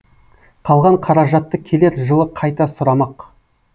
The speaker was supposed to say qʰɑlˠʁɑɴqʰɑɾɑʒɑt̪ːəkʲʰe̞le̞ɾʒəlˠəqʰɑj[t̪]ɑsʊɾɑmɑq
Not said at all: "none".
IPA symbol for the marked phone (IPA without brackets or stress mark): t̪